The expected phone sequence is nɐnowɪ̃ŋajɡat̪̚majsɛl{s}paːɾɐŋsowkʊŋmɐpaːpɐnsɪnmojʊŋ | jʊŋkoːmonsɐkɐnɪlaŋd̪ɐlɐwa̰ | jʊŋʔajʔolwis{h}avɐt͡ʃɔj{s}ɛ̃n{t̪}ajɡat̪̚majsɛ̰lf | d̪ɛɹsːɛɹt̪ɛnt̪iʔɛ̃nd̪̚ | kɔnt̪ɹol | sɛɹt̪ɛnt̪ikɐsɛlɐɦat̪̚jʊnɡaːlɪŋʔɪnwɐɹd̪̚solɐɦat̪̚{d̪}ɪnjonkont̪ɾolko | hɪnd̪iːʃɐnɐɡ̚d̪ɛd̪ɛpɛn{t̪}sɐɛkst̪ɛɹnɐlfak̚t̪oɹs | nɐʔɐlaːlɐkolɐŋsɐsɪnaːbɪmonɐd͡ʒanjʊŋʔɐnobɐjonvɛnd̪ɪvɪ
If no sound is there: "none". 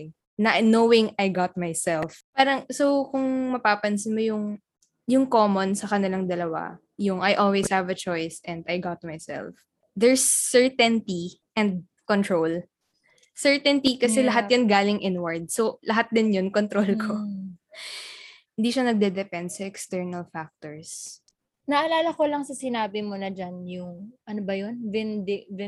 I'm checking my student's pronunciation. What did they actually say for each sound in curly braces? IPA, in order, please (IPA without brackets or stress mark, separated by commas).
f, h, s, d̪, d̪, d̪